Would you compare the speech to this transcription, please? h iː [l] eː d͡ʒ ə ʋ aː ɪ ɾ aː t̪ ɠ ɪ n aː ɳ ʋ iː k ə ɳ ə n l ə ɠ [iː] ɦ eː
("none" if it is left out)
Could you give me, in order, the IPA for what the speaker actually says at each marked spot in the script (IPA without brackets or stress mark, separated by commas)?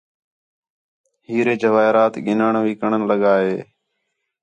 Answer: ɾ, aː